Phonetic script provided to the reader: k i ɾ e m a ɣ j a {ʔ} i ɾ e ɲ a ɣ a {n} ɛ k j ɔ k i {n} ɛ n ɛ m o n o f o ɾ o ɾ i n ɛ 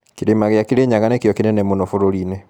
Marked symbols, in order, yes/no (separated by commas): no, yes, yes